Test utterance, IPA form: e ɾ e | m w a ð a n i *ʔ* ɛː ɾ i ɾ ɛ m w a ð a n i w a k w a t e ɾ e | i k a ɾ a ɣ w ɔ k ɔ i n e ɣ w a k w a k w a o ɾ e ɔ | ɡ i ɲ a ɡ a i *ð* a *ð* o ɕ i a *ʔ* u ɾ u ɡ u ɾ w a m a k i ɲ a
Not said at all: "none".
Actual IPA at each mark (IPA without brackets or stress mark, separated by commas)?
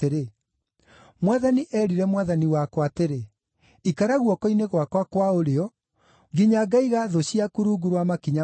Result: ʔ, ɣ, ð, k